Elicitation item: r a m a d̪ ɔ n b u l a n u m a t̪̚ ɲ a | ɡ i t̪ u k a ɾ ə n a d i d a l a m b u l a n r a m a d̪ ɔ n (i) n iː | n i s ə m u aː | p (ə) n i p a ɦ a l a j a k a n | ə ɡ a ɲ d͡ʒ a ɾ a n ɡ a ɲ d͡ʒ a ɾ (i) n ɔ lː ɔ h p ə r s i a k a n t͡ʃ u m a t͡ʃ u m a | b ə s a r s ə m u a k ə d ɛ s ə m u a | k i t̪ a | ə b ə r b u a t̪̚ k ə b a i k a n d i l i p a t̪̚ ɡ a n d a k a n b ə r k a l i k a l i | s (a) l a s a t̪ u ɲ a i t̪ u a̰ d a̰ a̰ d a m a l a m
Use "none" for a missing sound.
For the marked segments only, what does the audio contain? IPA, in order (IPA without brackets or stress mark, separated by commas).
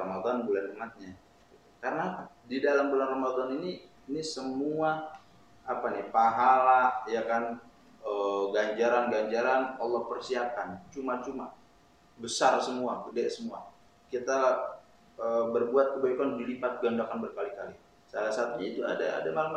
i, a, a, a